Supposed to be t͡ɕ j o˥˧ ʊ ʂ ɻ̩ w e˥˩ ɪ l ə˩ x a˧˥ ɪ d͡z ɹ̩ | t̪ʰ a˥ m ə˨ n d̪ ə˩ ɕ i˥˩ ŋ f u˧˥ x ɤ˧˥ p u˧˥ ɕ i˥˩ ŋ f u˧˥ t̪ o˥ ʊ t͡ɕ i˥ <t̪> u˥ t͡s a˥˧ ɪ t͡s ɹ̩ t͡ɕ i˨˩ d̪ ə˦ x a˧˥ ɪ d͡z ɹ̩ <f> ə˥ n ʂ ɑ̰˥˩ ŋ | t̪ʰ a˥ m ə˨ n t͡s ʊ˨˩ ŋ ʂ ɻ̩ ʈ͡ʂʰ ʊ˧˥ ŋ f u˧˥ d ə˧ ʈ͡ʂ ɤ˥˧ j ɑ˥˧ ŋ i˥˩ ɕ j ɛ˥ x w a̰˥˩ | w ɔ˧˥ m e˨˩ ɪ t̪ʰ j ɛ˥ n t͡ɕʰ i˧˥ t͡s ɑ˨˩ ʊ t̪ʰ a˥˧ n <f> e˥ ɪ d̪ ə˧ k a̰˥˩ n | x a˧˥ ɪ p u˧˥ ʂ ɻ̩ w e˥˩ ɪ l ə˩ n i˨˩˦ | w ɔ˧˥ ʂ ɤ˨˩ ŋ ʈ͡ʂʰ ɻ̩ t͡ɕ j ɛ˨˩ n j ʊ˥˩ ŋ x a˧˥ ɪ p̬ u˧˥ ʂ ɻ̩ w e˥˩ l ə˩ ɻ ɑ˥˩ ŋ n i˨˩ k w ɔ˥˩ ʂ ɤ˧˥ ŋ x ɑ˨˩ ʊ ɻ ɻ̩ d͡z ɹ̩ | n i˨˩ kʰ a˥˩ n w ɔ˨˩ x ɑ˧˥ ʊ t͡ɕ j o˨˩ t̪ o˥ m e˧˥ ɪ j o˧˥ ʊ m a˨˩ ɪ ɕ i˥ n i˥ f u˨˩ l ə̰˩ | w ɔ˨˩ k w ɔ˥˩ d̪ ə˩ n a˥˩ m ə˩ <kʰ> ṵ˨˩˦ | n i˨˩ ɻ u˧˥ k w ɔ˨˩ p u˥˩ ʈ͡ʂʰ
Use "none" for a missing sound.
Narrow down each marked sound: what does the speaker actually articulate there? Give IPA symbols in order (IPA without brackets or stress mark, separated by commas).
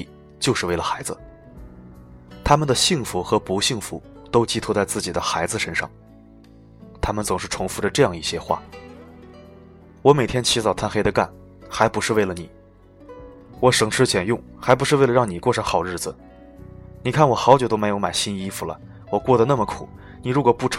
t̪ʰ, ʂ, x, kʰ